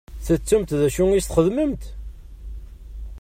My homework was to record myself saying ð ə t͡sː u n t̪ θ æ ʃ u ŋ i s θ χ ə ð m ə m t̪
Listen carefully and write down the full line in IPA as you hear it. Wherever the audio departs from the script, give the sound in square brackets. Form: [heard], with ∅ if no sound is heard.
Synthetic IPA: [θ] ə t͡sː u [m] t̪ [ð] æ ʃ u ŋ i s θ χ ə ð m ə m t̪